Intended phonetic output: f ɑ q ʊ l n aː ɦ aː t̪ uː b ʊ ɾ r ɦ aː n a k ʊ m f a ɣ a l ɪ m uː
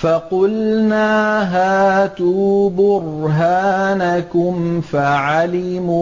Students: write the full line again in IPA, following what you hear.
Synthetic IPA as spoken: f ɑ q ʊ l n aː ɦ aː t̪ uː b ʊ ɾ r ɦ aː n a k ʊ m f a ʕ a l ɪ m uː